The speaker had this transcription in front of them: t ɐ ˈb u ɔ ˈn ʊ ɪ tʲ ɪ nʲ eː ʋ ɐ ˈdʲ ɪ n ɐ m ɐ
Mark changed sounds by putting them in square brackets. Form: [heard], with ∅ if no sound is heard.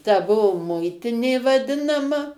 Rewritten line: t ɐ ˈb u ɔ [ˈm] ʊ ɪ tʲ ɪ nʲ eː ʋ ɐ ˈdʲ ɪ n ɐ m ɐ